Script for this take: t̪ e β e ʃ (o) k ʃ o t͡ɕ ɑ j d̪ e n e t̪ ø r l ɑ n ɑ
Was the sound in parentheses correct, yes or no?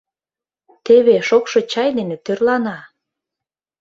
yes